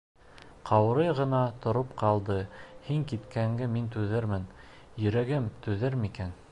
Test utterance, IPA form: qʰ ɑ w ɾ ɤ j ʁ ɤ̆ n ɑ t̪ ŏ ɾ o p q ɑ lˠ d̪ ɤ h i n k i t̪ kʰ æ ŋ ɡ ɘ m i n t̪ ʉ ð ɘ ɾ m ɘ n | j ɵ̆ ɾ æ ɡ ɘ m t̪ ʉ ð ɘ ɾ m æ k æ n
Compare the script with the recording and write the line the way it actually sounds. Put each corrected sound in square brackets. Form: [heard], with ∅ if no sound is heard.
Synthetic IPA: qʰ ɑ w ɾ ɤ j ʁ ɤ̆ n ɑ t̪ ŏ ɾ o p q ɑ lˠ d̪ ɤ h i [ŋ] k i t̪ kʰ æ ŋ ɡ ɘ m i n t̪ ʉ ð ɘ ɾ m ɘ n | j ɵ̆ ɾ æ ɡ ɘ m t̪ ʉ ð ɘ ɾ m [i] k æ n